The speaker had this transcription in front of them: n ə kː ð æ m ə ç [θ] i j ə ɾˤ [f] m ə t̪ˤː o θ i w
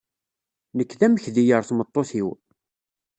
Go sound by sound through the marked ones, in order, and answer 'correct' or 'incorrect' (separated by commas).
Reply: incorrect, incorrect